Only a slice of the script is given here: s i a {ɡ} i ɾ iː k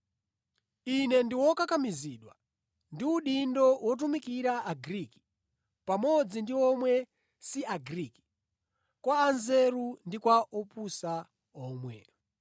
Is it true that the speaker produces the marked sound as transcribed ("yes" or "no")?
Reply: yes